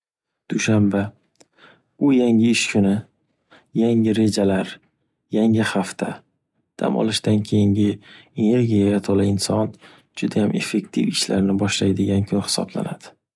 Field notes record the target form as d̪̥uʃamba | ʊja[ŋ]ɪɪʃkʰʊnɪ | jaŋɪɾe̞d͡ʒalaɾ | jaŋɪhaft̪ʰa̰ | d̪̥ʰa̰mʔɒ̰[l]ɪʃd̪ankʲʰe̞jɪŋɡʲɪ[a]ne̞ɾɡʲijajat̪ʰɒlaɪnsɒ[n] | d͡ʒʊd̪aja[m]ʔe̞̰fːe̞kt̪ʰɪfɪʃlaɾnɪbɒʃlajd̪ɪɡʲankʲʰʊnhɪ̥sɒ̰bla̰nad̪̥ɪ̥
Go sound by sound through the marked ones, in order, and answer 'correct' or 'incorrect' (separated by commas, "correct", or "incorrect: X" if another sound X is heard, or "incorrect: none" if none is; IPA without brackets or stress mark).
correct, correct, incorrect: e, correct, correct